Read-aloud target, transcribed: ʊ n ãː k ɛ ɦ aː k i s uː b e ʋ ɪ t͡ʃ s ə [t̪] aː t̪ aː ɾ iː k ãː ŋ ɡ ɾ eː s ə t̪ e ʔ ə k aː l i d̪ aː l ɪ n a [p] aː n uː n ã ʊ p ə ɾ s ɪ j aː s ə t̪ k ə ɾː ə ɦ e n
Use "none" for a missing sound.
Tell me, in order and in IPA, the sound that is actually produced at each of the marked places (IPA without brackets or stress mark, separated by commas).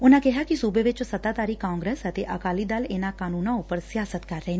t̪, k